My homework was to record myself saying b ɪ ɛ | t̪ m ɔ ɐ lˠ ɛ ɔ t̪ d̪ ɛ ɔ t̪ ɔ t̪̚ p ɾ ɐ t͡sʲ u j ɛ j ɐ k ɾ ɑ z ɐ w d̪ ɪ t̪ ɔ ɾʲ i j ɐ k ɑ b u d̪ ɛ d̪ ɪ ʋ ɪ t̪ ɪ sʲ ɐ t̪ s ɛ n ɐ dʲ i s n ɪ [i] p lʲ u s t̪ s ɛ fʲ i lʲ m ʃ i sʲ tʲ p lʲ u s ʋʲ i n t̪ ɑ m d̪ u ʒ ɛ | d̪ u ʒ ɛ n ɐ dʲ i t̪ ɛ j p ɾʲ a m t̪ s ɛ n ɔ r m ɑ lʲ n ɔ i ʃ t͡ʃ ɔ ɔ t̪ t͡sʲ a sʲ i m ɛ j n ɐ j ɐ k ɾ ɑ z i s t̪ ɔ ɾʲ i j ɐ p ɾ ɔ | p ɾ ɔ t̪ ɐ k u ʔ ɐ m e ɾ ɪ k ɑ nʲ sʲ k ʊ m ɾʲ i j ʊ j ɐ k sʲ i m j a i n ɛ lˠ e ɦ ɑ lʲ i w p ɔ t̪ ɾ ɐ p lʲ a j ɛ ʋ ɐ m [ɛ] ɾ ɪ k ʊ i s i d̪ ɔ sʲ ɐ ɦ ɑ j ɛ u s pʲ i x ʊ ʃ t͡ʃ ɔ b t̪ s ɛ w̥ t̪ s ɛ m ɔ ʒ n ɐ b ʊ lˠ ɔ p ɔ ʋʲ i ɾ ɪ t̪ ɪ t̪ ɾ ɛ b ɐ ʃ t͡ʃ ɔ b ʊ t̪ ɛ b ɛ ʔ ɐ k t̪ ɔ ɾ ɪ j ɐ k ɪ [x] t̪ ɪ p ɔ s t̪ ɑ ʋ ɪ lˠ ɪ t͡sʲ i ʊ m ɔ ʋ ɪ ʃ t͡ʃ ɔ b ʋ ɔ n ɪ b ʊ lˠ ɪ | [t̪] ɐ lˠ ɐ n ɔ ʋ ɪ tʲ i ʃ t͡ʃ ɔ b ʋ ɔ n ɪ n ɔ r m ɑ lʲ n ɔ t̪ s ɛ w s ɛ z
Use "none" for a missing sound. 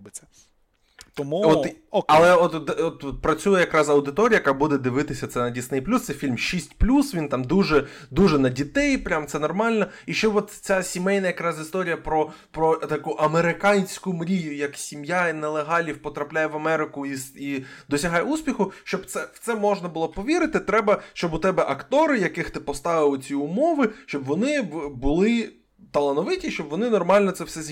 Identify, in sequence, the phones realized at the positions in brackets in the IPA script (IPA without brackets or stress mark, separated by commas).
j, ɛ, x, t̪